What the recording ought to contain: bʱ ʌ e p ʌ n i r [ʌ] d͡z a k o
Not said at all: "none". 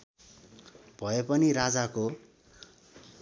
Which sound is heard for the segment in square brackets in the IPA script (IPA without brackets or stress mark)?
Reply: a